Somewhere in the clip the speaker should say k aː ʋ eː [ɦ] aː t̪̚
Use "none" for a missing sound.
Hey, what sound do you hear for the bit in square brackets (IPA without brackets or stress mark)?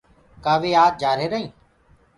none